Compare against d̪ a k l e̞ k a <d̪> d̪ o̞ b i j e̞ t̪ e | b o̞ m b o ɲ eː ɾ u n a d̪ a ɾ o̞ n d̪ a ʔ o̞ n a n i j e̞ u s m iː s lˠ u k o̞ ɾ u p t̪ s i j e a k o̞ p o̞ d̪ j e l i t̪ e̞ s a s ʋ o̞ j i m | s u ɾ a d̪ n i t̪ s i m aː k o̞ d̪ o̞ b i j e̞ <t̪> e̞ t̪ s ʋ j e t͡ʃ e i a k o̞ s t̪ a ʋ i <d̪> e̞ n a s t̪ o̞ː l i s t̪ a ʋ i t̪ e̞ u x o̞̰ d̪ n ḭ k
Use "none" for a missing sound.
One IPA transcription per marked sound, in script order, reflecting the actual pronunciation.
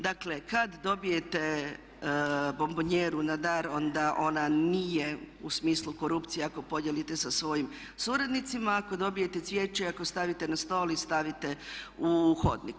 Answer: d̪, t̪, t̪

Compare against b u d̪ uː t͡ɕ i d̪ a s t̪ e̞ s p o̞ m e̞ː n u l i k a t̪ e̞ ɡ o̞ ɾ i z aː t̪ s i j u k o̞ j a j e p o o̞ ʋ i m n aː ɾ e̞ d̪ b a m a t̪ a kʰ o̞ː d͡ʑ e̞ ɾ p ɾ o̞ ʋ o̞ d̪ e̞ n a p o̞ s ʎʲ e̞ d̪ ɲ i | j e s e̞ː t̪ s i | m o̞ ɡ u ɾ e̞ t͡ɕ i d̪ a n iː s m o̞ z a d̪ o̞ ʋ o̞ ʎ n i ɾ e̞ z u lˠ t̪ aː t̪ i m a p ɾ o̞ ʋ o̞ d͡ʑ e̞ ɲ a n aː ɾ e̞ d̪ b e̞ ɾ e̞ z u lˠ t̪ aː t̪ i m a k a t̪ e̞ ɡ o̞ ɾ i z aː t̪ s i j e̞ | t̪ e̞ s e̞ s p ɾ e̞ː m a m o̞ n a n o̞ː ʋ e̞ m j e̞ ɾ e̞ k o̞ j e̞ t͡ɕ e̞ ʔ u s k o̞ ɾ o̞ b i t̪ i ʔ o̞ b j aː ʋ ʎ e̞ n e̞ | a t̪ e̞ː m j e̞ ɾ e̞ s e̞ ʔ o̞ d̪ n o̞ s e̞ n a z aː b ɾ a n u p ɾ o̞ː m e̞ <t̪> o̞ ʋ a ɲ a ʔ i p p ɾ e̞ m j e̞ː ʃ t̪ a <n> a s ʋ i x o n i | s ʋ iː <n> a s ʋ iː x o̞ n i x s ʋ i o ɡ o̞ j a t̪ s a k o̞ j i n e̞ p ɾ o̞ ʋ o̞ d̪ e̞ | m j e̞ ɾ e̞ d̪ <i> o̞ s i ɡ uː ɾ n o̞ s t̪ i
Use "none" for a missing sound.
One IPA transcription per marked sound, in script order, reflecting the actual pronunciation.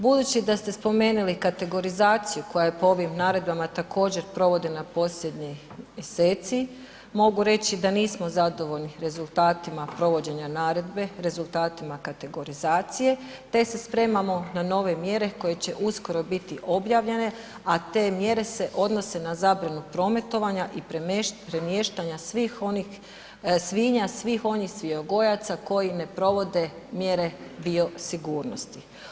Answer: t̪, ɲ, ɲ, i

